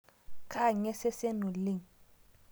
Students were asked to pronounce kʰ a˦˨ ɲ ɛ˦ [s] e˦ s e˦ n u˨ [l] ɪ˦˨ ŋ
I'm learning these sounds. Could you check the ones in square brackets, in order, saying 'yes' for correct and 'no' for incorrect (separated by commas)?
yes, yes